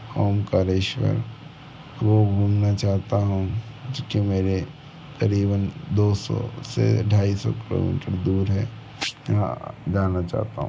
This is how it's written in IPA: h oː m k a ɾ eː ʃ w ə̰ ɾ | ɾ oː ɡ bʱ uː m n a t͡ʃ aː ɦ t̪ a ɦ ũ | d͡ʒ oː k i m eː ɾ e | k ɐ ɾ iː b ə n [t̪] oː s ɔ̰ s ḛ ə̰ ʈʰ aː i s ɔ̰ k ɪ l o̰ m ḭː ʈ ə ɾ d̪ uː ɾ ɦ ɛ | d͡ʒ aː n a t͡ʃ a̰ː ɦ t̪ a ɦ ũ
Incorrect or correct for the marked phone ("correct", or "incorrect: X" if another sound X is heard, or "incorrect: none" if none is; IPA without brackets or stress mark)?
incorrect: d̪